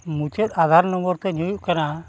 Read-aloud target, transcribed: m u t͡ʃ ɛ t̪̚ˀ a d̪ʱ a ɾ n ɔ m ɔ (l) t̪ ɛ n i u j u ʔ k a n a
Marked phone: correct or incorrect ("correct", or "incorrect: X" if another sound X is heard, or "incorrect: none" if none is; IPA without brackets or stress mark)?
incorrect: ɾ